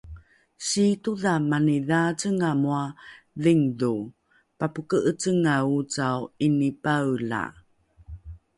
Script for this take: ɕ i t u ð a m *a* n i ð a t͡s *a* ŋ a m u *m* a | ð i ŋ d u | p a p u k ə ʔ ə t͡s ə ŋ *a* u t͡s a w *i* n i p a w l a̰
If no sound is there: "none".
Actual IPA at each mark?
a, ə, none, a, i

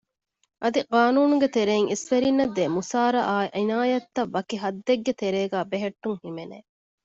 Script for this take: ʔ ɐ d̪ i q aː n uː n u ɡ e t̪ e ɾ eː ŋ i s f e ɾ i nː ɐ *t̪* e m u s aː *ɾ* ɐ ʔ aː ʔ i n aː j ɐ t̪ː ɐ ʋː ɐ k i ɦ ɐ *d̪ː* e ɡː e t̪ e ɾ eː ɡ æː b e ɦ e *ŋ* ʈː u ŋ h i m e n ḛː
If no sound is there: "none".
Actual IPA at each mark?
d̪, ɾ, d̪ː, none

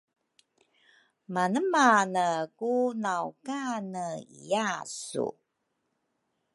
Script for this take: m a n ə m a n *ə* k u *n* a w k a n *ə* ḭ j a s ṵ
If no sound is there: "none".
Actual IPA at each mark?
ə, n, ə

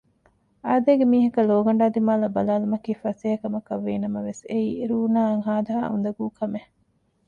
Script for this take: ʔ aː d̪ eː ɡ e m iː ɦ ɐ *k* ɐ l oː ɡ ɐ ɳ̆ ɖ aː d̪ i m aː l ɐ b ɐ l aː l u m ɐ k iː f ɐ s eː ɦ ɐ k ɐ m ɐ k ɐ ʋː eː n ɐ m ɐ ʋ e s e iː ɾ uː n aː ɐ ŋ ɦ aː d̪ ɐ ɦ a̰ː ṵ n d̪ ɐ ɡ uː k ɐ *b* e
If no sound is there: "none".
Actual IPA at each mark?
k, m

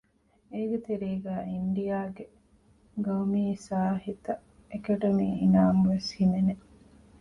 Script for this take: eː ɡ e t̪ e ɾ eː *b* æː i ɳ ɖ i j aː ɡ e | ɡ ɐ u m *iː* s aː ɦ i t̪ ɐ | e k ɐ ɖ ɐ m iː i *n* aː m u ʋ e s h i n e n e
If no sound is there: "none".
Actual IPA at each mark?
ɡ, iː, n

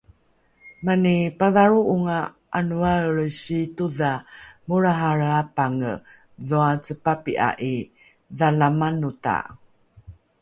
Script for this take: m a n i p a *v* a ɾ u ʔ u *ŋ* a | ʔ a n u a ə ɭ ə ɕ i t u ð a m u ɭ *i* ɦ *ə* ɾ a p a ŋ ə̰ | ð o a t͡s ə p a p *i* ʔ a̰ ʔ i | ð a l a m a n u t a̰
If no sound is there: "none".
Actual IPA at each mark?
ð, ŋ, a, a, i

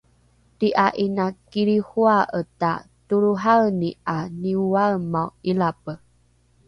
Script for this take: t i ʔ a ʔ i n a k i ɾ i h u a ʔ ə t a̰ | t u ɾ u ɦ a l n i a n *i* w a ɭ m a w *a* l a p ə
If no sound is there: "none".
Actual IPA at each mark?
i, i

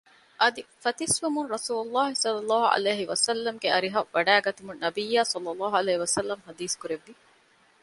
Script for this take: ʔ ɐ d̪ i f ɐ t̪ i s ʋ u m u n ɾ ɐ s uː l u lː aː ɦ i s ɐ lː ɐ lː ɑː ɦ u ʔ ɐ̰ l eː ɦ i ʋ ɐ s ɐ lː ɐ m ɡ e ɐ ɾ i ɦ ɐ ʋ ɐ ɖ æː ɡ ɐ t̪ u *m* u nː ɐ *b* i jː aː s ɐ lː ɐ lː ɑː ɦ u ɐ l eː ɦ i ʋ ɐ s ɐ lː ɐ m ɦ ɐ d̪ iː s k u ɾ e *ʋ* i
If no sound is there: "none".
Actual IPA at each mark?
m, b, ʋː

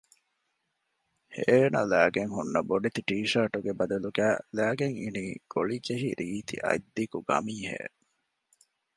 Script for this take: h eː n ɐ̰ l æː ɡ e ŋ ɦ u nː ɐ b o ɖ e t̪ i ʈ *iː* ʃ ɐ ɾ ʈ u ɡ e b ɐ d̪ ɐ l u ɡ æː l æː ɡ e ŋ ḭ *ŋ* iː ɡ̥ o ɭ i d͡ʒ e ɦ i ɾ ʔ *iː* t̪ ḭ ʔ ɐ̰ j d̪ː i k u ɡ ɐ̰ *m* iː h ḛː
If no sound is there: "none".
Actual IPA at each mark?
iː, n, iː, m

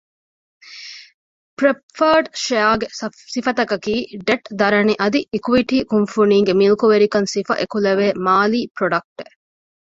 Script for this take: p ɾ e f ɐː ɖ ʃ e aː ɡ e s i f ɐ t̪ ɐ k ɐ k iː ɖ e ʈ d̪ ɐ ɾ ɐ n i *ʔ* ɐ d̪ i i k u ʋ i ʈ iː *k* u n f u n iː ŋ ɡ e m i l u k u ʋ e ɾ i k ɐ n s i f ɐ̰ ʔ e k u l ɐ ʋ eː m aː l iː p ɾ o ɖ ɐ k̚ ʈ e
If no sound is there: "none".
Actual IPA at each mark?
ʔ, k

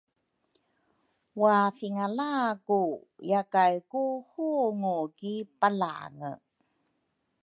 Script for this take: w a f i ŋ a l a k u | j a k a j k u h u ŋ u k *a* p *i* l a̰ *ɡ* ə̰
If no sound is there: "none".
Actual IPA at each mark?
i, a, ŋ

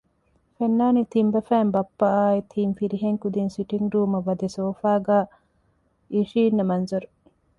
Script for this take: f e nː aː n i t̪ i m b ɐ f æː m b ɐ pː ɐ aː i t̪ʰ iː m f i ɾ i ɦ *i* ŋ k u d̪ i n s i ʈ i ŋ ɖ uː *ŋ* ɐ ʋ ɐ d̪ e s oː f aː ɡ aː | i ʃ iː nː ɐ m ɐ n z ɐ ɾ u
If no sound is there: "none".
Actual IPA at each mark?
e, m

